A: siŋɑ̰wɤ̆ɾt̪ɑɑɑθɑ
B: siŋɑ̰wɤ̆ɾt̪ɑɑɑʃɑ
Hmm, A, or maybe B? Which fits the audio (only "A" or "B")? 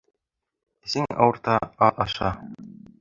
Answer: B